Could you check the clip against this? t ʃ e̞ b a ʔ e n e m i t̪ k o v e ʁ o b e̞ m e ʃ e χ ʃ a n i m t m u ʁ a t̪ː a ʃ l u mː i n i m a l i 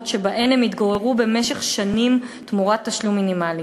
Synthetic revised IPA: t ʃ e̞ b a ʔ e n e m i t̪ ɡ o ʁ e ʁ u b e̞ m e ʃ e χ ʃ a n i m t m u ʁ a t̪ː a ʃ l u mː i n i m a l i